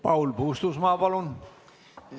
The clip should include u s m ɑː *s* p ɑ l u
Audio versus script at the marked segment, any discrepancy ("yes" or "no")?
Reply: yes